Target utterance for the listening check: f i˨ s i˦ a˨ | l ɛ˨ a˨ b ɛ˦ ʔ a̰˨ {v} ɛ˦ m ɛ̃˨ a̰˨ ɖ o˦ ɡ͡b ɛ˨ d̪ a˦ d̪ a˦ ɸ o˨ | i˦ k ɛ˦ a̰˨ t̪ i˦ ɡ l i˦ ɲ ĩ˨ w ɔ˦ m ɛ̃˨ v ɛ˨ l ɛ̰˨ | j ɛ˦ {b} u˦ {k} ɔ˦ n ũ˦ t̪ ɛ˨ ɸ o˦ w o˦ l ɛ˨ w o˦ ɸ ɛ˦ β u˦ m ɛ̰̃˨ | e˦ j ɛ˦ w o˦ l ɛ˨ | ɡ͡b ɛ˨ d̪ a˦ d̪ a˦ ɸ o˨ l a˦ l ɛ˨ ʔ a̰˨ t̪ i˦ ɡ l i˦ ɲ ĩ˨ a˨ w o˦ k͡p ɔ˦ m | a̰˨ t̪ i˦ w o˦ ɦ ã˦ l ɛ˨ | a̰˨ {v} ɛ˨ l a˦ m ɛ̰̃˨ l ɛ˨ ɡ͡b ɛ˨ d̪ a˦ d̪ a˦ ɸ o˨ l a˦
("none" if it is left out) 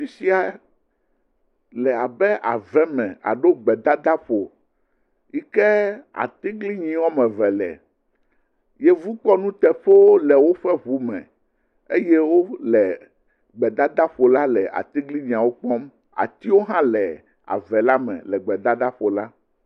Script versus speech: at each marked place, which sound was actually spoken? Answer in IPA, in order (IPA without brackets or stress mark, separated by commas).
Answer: v, v, k͡p, v